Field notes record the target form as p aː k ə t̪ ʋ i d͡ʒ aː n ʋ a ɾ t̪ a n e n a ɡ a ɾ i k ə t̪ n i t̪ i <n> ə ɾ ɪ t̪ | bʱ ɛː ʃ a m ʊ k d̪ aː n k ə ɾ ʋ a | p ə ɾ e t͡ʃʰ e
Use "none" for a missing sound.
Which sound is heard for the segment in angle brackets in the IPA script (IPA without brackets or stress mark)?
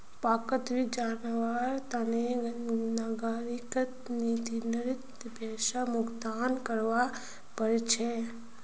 n